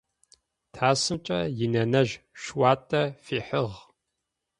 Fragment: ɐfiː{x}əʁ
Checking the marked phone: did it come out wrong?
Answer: yes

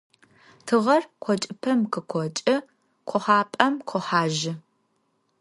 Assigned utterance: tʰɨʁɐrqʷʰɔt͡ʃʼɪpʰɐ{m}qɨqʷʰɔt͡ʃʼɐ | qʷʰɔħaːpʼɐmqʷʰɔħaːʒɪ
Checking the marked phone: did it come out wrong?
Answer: no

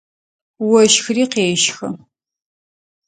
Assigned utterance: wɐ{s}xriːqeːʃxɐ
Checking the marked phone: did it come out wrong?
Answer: yes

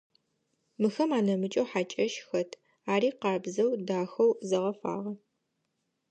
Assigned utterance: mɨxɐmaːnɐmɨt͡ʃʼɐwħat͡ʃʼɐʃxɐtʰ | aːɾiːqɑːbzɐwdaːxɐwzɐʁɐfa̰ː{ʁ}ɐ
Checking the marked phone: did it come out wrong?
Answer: no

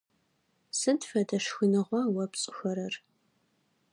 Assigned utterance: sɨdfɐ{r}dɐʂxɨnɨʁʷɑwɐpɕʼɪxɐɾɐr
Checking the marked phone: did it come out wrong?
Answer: yes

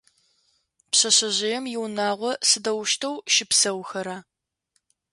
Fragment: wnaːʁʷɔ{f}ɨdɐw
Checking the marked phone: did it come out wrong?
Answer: yes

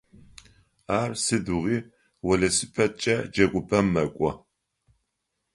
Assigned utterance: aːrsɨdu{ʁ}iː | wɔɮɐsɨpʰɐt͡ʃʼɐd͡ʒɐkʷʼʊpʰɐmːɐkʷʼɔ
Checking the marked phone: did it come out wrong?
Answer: no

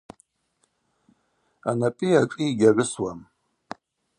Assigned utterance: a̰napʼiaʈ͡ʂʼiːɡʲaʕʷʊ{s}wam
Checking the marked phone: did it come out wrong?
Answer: no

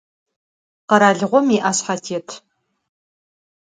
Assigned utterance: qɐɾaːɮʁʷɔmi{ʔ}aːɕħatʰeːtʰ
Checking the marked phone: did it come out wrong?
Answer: no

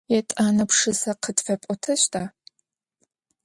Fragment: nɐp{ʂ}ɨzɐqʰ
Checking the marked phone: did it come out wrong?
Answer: no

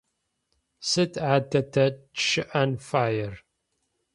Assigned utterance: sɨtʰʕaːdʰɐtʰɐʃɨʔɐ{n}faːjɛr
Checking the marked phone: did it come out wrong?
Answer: no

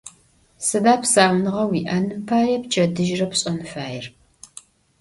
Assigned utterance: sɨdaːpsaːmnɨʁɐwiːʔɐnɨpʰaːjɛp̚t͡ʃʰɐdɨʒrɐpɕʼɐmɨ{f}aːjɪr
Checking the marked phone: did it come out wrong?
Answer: no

